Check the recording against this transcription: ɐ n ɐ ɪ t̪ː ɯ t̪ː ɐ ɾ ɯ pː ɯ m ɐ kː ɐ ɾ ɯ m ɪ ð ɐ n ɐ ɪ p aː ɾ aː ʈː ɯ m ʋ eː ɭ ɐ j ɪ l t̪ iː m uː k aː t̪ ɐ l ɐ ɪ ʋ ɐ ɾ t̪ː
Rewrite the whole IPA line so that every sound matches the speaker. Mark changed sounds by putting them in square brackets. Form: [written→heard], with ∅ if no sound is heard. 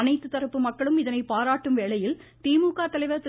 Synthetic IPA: ɐ n ɐ ɪ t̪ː ɯ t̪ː ɐ ɾ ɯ pː ɯ m ɐ kː ɐ [ɾ→ɭ] ɯ m ɪ ð ɐ n ɐ ɪ p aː ɾ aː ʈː ɯ m ʋ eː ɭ ɐ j ɪ l t̪ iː m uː k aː t̪ ɐ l ɐ ɪ ʋ ɐ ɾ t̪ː

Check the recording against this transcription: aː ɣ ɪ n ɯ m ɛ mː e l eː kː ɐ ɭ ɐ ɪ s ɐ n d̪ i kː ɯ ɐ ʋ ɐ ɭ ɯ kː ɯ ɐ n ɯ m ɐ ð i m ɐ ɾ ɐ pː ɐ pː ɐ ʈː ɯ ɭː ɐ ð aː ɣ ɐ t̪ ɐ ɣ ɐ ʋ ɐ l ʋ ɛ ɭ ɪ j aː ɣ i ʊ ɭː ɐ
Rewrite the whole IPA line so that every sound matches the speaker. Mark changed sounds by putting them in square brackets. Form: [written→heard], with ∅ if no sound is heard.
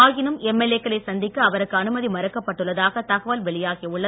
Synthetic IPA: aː ɣ ɪ n ɯ m ɛ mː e l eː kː ɐ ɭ ɐ ɪ s ɐ n d̪ [i→ɪ] kː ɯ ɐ ʋ ɐ [ɭ→ɾ] ɯ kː ɯ ɐ n ɯ m ɐ ð i m ɐ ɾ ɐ [pː→kː] ɐ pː ɐ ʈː ɯ ɭː ɐ ð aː ɣ ɐ t̪ ɐ ɣ ɐ ʋ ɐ l ʋ ɛ ɭ ɪ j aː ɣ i ʊ ɭː ɐ

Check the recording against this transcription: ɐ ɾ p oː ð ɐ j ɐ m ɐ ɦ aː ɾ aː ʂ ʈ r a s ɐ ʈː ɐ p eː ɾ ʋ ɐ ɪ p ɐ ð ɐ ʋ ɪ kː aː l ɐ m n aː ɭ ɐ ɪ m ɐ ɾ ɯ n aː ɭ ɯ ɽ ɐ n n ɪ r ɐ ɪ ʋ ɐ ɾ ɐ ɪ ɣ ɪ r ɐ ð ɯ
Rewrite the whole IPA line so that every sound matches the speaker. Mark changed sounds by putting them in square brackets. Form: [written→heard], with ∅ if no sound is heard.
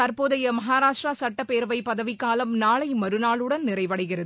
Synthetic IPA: ɐ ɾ p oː ð ɐ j ɐ m ɐ ɦ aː ɾ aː ʂ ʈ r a s ɐ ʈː ɐ p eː ɾ ʋ ɐ ɪ p ɐ ð ɐ ʋ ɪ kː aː l ɐ m n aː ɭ ɐ ɪ m ɐ ɾ ɯ n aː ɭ ɯ ɽ ɐ n n ɪ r ɐ ɪ ʋ ɐ [ɾ→ɽ] ɐ ɪ ɣ ɪ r ɐ ð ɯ

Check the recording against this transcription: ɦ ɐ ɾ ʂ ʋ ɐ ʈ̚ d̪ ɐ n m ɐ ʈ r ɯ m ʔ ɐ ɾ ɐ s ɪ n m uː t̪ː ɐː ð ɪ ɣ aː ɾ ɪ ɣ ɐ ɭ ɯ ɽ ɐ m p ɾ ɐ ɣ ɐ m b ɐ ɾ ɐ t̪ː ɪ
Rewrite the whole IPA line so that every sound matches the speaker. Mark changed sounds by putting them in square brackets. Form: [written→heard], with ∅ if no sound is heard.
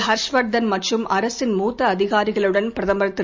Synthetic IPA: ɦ ɐ ɾ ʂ ʋ ɐ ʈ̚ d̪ ɐ n m ɐ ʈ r ɯ m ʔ ɐ ɾ ɐ s ɪ n m uː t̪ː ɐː ð ɪ ɣ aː ɾ ɪ ɣ ɐ ɭ ɯ ɽ ɐ [m→n] p ɾ ɐ [ɣ→ð] ɐ m b ɐ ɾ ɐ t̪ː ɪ

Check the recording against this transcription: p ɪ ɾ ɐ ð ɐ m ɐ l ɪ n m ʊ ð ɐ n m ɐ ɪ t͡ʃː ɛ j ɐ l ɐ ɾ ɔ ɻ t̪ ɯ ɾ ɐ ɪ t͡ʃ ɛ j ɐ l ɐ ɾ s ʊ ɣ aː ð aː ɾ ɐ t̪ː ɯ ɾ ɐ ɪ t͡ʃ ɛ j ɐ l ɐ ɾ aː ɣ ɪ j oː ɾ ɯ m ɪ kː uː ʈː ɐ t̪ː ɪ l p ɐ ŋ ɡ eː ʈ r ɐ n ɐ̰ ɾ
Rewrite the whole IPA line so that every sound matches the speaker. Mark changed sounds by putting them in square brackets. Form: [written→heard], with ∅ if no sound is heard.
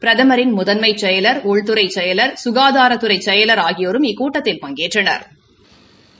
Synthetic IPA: p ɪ ɾ ɐ ð ɐ m ɐ [l→ɾ] ɪ n m ʊ ð ɐ n m ɐ ɪ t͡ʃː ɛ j ɐ l ɐ ɾ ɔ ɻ t̪ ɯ ɾ ɐ ɪ t͡ʃ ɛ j ɐ l ɐ ɾ s ʊ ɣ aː ð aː ɾ ɐ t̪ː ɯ ɾ ɐ ɪ t͡ʃ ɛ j ɐ l ɐ ɾ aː ɣ ɪ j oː ɾ ɯ m ɪ kː uː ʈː ɐ t̪ː ɪ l p ɐ ŋ ɡ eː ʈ r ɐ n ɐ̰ ɾ

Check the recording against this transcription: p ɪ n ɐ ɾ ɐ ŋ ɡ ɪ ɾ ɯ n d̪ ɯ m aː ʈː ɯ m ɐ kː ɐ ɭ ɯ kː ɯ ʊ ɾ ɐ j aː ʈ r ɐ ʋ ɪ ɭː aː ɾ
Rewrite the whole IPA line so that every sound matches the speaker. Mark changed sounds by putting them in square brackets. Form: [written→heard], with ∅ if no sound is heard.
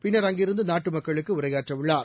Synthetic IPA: p ɪ [n→nː] ɐ ɾ ɐ ŋ ɡ ɪ ɾ ɯ n d̪ ɯ [m→n] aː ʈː ɯ m ɐ kː ɐ ɭ ɯ kː ɯ ʊ ɾ ɐ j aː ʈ r ɐ ʋ ɪ ɭː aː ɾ

